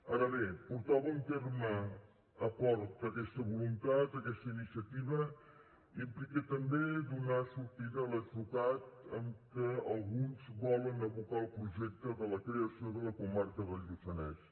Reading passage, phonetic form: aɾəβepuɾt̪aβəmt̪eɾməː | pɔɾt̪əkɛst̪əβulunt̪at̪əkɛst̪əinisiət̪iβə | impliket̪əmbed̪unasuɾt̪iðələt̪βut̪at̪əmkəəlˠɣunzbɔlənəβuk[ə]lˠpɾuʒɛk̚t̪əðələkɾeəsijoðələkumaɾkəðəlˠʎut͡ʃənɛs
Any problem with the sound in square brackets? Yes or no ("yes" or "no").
yes